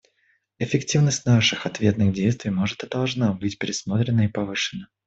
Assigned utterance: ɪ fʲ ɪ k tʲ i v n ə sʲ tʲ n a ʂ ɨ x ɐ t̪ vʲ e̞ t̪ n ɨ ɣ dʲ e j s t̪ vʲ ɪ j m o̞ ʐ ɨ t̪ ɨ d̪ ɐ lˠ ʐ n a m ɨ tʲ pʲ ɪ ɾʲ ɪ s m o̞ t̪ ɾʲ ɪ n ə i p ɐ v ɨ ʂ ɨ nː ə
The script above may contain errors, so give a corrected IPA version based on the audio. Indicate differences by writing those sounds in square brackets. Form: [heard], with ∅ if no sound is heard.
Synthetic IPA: ɪ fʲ ɪ k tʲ i v n ə sʲ tʲ n a ʂ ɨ x ɐ t̪ vʲ e̞ t̪ n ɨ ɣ dʲ e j s t̪ vʲ ɪ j m o̞ ʐ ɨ t̪ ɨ d̪ ɐ lˠ ʐ n a [b] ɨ tʲ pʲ ɪ ɾʲ ɪ s m o̞ t̪ ɾʲ ɪ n ə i p ɐ v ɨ ʂ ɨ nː ə